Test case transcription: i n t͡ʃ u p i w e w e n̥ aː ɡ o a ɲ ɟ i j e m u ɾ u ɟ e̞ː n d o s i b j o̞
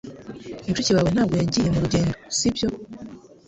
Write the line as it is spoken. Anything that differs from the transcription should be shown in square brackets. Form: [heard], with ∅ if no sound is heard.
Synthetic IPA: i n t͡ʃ u [c] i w [a] w e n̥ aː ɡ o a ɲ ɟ i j e m u ɾ u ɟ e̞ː n d o s i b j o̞